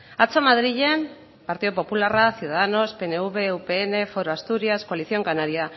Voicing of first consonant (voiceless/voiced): voiceless